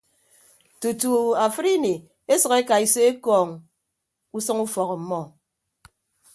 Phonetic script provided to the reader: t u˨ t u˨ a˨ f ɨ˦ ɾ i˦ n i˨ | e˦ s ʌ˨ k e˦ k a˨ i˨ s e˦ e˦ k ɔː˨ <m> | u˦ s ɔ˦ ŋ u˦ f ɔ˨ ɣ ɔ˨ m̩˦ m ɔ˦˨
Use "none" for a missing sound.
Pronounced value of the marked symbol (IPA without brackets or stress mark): ŋ